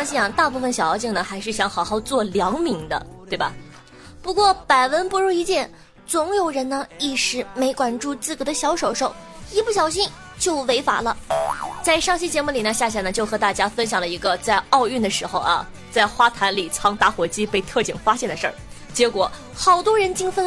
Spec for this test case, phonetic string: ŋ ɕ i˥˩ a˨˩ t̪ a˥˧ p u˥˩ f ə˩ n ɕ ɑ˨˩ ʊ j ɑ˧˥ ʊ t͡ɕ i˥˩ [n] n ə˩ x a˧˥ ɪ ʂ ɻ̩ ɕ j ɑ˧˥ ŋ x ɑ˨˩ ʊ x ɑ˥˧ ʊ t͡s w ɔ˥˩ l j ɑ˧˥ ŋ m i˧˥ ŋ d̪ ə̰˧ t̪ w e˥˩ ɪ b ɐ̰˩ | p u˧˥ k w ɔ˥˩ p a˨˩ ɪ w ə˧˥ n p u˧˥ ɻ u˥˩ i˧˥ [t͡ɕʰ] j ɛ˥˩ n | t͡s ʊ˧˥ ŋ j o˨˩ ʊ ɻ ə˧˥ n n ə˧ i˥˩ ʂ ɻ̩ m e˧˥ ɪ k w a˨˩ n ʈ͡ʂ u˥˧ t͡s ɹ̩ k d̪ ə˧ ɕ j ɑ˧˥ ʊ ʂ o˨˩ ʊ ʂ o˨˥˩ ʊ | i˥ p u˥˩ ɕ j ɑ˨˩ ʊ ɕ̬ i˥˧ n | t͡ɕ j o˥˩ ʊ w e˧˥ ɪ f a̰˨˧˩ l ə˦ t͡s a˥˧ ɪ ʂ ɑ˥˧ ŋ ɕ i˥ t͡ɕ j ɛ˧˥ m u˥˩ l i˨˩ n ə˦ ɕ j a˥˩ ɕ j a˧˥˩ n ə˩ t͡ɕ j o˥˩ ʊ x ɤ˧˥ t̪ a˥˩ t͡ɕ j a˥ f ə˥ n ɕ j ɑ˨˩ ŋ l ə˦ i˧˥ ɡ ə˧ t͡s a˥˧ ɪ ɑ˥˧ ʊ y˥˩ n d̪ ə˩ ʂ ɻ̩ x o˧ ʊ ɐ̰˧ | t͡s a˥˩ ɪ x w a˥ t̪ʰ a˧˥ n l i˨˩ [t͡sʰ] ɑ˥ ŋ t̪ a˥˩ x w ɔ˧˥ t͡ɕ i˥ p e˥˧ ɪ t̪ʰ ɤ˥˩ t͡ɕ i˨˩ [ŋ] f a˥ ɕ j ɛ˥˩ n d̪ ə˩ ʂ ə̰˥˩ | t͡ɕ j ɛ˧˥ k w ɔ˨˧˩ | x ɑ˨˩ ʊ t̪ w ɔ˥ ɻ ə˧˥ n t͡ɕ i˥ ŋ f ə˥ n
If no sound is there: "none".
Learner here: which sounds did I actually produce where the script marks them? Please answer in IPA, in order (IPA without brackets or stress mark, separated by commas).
ŋ, t͡ɕ, t͡sʰ, ŋ